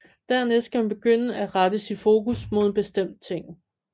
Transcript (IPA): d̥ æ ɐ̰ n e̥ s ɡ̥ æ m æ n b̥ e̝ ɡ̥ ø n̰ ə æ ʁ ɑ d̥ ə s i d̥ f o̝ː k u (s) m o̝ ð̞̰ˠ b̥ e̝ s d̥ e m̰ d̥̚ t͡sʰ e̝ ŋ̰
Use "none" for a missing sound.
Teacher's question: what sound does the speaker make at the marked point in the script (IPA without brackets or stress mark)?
s